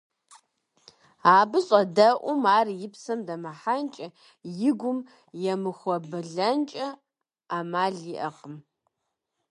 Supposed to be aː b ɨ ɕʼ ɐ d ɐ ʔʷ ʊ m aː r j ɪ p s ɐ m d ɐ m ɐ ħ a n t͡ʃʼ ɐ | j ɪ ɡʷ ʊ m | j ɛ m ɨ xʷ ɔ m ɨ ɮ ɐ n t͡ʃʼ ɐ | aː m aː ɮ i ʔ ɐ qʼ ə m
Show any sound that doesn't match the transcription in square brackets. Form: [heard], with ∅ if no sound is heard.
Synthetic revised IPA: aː b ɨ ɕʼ ɐ d ɐ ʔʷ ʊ m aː r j ɪ p s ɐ m d ɐ m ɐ ħ a n t͡ʃʼ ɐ | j ɪ ɡʷ ʊ m | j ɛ m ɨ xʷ ɔ [b] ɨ ɮ ɐ n t͡ʃʼ ɐ | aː m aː ɮ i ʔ ɐ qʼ ə m